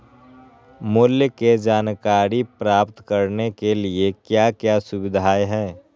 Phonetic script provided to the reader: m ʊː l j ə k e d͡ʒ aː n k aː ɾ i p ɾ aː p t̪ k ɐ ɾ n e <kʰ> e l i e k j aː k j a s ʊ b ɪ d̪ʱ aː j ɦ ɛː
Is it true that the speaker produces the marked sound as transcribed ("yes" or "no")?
no